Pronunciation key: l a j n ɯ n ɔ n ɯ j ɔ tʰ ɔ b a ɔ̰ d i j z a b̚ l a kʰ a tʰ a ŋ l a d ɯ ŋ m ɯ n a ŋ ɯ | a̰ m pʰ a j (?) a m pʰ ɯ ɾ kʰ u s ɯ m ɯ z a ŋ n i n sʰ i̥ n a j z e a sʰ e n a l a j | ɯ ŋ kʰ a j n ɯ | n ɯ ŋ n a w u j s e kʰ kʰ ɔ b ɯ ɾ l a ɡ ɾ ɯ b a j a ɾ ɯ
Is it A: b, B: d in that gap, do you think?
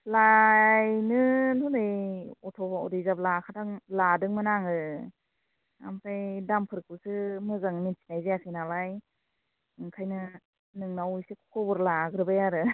B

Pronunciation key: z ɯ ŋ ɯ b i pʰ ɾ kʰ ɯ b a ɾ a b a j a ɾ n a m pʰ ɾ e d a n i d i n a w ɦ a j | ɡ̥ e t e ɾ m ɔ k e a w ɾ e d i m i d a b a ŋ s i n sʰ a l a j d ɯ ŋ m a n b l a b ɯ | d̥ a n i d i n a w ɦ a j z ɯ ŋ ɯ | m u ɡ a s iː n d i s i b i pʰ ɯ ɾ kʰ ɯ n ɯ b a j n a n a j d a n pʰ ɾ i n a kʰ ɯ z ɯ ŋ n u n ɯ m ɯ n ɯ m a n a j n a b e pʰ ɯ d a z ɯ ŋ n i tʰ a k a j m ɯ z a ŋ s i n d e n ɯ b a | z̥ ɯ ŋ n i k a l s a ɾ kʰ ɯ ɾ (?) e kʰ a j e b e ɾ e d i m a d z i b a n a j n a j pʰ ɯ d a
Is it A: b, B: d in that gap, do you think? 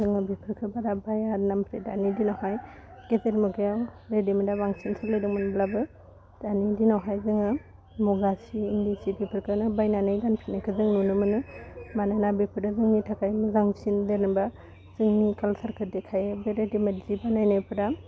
B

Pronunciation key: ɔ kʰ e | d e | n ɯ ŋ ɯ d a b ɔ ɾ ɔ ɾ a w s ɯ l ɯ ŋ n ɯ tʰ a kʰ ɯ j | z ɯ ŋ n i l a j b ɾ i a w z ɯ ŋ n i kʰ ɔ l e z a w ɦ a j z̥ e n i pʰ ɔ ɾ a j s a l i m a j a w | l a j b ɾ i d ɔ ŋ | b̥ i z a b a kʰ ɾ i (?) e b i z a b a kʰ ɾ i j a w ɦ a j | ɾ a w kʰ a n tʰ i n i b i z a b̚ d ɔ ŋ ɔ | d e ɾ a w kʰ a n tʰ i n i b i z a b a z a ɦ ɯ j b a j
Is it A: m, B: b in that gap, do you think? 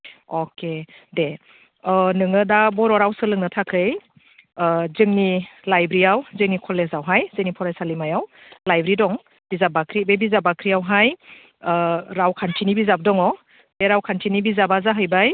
B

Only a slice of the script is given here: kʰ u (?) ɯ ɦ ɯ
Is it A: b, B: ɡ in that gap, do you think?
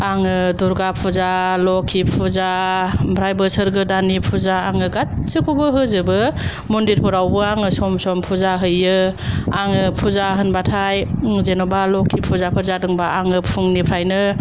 A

